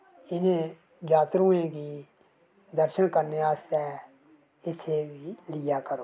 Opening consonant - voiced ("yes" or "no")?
yes